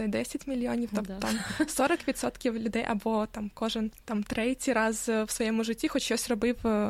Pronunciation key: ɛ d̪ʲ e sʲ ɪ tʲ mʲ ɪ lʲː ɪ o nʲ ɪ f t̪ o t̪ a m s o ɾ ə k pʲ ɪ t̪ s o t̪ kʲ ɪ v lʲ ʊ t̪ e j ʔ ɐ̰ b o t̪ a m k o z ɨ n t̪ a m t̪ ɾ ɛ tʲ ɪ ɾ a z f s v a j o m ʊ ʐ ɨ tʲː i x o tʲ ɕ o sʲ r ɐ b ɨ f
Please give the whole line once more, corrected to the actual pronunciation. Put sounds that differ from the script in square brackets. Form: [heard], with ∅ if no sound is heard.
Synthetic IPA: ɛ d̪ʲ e sʲ ɪ tʲ mʲ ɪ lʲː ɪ o nʲ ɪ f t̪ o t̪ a m s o ɾ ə k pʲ ɪ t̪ s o t̪ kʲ ɪ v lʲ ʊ [d̪] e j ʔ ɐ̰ b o t̪ a m k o [ʐ] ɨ n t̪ a m t̪ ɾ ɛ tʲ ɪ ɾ a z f s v [ɐ] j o m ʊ ʐ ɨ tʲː i x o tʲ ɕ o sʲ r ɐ b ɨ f